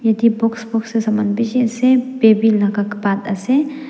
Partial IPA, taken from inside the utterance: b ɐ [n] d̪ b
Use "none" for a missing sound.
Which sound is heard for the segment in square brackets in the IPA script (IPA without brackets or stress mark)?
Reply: n